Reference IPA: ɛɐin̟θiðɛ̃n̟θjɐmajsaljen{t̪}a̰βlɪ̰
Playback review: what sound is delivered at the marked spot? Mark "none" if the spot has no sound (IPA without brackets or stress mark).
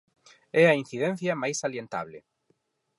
t̪